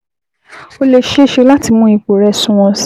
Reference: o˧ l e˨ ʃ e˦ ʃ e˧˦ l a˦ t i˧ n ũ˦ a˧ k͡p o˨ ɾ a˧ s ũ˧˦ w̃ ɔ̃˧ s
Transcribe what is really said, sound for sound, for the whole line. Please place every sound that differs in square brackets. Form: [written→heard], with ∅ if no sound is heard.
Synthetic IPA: o˧ l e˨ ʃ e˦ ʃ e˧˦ l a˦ t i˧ [n→m] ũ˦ [a˧→i˧] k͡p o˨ ɾ [a˧→ɛ˧] s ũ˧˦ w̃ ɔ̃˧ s